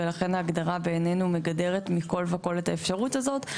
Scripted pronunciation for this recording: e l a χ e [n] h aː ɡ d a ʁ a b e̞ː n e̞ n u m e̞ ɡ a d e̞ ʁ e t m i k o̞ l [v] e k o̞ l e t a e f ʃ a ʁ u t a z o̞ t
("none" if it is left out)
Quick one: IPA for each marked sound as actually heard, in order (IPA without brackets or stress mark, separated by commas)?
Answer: n, v